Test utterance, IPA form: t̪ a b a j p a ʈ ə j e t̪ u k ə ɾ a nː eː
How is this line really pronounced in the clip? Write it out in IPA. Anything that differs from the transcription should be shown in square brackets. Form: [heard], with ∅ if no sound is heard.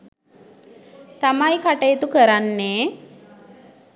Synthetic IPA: t̪ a [m] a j [k] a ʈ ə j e t̪ u k ə ɾ a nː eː